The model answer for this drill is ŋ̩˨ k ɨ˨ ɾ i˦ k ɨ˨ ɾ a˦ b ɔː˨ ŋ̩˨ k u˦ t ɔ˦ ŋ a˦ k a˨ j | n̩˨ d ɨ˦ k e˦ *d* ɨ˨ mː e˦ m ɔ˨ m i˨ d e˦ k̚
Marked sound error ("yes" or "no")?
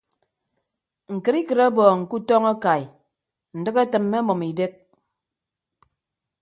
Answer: yes